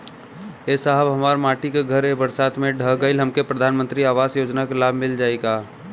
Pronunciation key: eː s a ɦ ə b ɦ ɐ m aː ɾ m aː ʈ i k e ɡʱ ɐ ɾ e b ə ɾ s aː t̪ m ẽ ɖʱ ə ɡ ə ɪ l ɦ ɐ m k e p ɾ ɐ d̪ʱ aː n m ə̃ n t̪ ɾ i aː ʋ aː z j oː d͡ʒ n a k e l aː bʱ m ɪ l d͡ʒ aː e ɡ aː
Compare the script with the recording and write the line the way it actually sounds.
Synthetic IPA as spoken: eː s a ɦ ə b ɦ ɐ m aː ɾ m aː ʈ i k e ɡʱ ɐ ɾ e b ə ɾ s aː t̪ m ẽ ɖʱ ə ɡ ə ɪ l ɦ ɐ m k e p ɾ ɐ d̪ʱ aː n m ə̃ n t̪ ɾ i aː ʋ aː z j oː d͡ʒ n a k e l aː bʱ m ɪ l d͡ʒ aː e ɡ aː